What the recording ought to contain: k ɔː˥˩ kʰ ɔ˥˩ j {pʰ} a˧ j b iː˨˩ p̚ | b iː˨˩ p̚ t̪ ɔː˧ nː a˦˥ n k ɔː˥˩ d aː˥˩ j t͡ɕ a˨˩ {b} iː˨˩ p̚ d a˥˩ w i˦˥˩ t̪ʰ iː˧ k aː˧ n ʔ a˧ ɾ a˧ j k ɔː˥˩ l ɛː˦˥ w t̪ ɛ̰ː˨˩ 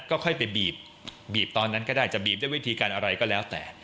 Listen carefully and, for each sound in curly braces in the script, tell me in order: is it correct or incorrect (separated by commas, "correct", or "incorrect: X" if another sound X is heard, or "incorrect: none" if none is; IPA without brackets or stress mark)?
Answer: incorrect: p, correct